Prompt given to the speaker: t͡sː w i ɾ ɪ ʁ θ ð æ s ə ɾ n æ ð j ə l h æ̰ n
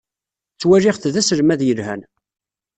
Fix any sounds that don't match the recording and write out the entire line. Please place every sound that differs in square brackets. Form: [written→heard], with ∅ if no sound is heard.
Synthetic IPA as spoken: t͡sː w [i→æ] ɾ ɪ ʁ θ ð æ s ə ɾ [n→m] æ ð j ə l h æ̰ n